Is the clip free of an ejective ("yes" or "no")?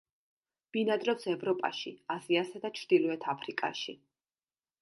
no